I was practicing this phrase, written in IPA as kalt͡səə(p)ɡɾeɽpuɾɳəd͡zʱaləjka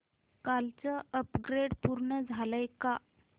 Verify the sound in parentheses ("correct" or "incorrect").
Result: correct